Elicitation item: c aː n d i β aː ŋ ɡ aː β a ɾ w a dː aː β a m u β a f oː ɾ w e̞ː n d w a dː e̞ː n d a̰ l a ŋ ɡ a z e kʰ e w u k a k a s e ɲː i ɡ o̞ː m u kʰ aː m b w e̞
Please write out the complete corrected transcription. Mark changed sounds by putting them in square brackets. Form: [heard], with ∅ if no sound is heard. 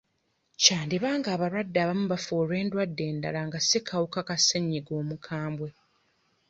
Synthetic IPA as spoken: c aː n d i β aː ŋ ɡ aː β a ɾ w a dː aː β a m u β a f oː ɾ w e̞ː n d w a dː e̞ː n d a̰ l a ŋ ɡ a [s] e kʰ [a] w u k a k a s e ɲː i ɡ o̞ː m u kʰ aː m b w e̞